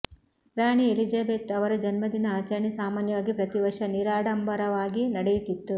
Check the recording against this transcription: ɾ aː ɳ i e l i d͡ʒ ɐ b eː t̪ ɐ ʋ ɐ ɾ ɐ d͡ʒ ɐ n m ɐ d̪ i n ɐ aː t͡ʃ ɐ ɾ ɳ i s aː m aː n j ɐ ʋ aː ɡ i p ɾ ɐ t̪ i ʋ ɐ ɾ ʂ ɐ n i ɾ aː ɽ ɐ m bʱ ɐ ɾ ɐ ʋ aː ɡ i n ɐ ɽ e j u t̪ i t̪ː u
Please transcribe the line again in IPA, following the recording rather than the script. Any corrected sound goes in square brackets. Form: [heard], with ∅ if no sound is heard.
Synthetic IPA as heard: ɾ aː ɳ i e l i d͡ʒ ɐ b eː t̪ ɐ ʋ ɐ ɾ ɐ d͡ʒ ɐ n m ɐ d̪ i n ɐ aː t͡ʃ ɐ ɾ ɳ i s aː m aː n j ɐ ʋ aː ɡ i p ɾ ɐ t̪ i ʋ ɐ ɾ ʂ ɐ n i ɾ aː ɽ ɐ m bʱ ɐ ɾ ɐ ʋ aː ɡ i n ɐ ɽ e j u t̪ i t̪ː u